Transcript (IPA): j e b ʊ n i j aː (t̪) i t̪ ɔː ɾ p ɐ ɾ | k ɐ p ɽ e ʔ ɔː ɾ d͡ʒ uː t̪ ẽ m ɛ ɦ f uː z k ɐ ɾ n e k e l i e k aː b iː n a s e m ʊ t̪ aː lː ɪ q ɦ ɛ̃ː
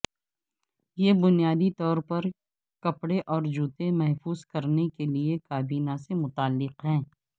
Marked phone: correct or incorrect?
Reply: incorrect: d̪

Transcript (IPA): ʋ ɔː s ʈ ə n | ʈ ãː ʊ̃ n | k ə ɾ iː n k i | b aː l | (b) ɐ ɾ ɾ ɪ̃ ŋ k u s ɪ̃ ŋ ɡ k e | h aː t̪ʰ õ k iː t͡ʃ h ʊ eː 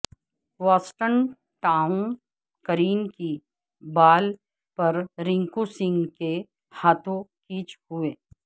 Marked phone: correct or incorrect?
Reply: incorrect: p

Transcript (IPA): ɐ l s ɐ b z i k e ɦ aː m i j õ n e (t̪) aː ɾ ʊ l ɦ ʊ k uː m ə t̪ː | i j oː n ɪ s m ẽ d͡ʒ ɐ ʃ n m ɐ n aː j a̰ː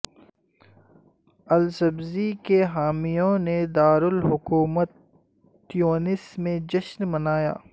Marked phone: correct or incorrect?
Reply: incorrect: d̪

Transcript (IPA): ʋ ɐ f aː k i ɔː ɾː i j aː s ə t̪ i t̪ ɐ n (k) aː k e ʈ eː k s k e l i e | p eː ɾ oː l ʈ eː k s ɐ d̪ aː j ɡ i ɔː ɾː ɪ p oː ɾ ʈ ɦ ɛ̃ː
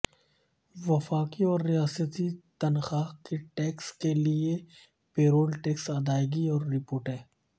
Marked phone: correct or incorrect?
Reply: incorrect: x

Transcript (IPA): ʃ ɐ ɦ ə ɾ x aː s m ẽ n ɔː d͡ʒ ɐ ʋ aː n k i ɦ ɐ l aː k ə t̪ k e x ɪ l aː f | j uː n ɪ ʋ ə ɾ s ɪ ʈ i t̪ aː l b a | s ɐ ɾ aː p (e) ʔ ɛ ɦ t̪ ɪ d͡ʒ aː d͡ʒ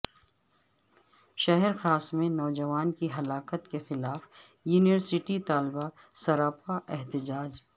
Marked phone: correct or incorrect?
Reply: incorrect: a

